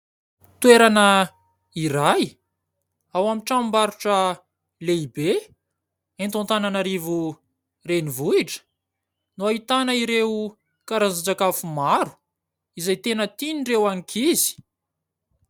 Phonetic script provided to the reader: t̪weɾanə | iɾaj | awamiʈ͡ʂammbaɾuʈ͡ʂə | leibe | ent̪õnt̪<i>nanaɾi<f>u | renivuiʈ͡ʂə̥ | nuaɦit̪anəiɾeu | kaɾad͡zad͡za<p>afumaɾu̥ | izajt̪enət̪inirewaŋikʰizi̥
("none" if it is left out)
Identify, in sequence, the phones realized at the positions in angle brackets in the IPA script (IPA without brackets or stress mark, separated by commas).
a, v, k